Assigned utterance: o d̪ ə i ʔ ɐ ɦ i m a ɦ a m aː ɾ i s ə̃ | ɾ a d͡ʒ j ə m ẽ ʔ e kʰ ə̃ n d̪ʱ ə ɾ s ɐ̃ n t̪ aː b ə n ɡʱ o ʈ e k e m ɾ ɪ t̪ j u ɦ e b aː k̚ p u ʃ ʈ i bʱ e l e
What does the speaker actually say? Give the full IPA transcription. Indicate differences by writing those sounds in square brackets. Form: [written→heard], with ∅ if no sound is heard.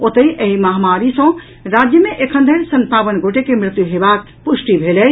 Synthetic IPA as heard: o [d̪→t̪] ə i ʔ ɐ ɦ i m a ɦ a m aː ɾ i s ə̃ | ɾ a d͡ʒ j ə m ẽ ʔ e kʰ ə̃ n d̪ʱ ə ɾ s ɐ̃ n t̪ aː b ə n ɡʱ o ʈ e k e m ɾ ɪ t̪ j u ɦ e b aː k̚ p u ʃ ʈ i bʱ e l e